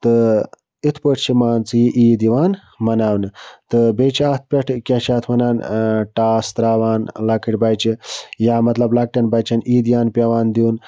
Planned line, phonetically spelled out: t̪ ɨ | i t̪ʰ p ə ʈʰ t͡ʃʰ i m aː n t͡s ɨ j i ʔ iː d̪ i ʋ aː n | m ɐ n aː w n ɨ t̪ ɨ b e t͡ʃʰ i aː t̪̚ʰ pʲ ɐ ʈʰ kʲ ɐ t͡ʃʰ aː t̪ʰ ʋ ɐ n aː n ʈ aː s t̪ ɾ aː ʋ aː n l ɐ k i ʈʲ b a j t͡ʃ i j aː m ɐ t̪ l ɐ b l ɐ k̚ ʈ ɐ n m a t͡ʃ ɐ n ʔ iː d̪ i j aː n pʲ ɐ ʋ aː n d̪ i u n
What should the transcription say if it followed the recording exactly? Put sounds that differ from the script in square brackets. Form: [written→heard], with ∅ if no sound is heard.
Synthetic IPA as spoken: t̪ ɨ | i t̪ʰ p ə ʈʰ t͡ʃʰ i m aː n t͡s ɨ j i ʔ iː d̪ i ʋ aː n | m ɐ n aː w n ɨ t̪ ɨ b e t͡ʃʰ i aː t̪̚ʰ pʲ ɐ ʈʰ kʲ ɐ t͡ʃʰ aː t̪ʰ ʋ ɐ n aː n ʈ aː s t̪ ɾ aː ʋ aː n l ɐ k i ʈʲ b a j t͡ʃ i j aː m ɐ t̪ l ɐ b l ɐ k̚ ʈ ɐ n [m→b] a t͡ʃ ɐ n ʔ iː d̪ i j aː n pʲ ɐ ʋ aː n d̪ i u n